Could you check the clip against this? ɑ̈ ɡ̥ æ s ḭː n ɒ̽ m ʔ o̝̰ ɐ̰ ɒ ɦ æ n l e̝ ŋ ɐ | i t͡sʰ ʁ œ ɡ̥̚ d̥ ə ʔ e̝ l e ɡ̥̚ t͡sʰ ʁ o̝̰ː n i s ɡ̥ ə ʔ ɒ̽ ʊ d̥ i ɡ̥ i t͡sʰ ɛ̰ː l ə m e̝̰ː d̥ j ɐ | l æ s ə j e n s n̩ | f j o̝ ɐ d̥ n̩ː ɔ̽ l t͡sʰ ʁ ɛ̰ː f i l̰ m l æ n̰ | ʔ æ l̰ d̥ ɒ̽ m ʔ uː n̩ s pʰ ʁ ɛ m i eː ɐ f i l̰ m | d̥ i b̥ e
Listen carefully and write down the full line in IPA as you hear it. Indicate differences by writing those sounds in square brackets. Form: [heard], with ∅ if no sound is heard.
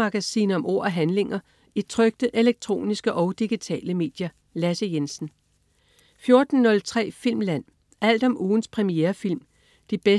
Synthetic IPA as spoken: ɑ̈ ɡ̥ æ s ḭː n ɒ̽ m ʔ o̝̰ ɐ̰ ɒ ɦ æ n l e̝ ŋ ɐ | i t͡sʰ ʁ œ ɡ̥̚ d̥ ə ʔ e̝ l e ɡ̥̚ t͡sʰ ʁ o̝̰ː n i s ɡ̥ ə ʔ ɒ̽ ʊ d̥ i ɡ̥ i t͡sʰ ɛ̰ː l ə m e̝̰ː d̥ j ɐ | l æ s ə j e n s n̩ | f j o̝ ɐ d̥ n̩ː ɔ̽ l t͡sʰ ʁ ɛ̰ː f i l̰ m l æ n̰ | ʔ æ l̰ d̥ ɒ̽ m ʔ uː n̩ s pʰ ʁ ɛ m i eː ɐ f i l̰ m | d̥ i b̥ e